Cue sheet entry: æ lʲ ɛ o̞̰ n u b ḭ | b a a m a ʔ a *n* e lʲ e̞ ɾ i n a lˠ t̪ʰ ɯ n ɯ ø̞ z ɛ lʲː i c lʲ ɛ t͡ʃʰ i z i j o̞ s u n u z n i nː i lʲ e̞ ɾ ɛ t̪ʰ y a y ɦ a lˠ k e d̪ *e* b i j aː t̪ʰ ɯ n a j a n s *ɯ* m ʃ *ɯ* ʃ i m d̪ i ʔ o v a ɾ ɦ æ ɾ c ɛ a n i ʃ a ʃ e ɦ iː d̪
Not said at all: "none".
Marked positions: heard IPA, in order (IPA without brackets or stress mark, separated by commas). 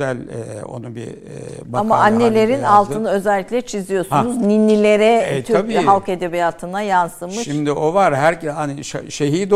nː, e, ɯ, ɯ